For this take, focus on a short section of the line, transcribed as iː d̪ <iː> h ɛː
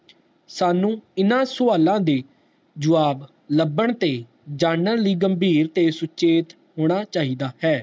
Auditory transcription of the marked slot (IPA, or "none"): aː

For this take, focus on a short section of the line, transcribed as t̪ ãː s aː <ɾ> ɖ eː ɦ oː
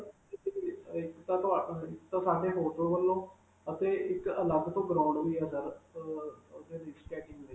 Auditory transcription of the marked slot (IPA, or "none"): none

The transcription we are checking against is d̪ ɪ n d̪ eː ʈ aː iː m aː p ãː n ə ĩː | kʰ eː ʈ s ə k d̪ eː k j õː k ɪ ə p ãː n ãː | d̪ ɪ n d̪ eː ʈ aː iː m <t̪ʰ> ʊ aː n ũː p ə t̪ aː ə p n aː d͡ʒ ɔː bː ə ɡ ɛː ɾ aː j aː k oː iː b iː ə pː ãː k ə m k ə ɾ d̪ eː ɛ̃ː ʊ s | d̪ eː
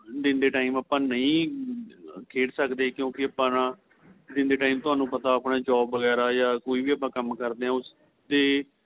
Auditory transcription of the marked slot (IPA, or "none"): t̪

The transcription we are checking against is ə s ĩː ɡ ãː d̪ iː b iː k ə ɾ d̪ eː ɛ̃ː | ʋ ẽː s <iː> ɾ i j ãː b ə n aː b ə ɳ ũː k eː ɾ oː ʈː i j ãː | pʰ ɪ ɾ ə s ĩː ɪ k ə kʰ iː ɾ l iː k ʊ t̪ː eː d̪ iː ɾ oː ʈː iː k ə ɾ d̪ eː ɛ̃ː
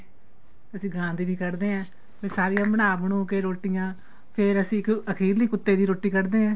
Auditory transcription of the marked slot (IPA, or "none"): aː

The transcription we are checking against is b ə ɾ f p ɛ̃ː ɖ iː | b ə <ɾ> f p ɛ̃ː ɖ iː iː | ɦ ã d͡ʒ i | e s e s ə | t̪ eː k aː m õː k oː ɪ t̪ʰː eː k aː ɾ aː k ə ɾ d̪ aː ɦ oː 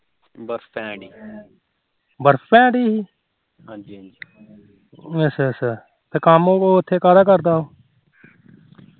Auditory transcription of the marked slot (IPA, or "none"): ɾ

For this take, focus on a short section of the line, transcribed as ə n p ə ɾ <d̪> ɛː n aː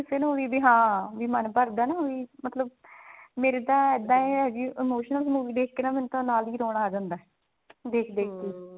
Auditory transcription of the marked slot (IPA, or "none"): d̪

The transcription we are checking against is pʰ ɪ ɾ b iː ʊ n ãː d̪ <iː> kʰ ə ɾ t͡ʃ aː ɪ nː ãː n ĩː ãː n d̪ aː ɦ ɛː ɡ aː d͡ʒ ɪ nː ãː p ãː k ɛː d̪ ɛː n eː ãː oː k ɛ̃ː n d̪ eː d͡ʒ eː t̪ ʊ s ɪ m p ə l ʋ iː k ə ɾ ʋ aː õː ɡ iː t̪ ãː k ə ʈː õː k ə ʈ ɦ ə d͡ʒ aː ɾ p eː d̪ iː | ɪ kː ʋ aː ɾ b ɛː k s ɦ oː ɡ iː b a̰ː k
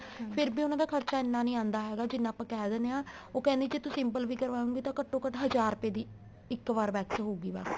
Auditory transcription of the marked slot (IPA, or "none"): aː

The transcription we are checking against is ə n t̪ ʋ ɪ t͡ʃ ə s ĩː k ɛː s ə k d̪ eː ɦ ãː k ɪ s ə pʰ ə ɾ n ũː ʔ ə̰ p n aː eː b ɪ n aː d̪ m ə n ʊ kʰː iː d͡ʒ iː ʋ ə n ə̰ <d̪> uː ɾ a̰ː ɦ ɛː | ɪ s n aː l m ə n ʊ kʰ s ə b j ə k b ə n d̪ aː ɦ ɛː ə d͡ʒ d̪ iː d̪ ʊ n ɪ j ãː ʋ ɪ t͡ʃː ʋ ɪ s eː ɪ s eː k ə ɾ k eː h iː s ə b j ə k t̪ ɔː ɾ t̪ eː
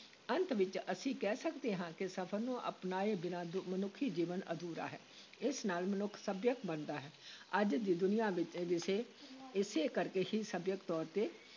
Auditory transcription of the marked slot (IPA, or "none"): d̪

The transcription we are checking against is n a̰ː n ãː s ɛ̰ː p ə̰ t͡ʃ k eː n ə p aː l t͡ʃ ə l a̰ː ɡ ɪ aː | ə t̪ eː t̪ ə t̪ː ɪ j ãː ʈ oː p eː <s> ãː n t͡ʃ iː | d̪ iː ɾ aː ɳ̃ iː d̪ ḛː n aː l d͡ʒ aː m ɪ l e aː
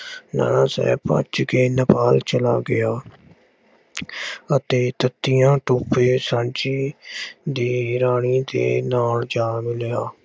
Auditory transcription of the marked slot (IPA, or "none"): s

